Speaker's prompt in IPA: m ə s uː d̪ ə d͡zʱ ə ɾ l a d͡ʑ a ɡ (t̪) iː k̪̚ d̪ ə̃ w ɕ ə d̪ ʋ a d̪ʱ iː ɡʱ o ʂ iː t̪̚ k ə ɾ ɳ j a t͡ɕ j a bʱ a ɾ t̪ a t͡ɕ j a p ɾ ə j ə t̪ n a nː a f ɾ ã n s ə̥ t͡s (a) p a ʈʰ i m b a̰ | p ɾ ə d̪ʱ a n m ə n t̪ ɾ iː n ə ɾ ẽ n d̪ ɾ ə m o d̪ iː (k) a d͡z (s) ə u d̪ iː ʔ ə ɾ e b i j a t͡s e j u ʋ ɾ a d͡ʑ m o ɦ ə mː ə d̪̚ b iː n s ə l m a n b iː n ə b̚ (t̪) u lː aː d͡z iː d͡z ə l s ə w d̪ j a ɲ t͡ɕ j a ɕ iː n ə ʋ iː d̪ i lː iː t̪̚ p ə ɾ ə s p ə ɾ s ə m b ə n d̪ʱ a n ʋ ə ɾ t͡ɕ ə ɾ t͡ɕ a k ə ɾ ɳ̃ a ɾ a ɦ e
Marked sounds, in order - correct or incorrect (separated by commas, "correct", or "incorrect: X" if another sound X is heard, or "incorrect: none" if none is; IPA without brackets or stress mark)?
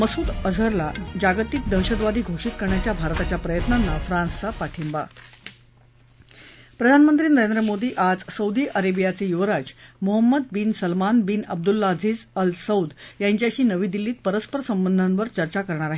correct, correct, incorrect: ʔ, correct, incorrect: d̪